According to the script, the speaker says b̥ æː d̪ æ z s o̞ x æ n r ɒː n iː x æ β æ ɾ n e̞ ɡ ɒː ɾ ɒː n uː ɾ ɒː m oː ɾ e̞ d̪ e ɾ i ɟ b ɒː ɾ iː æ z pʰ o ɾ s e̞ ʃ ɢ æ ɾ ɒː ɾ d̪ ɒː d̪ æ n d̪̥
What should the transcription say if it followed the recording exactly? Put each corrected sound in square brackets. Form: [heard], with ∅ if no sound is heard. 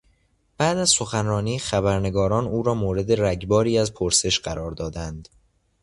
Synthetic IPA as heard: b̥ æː d̪ æ z s o̞ x æ n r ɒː n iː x æ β æ ɾ n e̞ ɡ ɒː ɾ ɒː n uː ɾ ɒː m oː ɾ e̞ d̪ e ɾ [æ] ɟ b ɒː ɾ iː æ z pʰ o ɾ s e̞ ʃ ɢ æ ɾ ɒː ɾ d̪ ɒː d̪ æ n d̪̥